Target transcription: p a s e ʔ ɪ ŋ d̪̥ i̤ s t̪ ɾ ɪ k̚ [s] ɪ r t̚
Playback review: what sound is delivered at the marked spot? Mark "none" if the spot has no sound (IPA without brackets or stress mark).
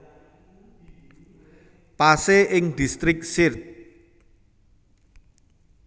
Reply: s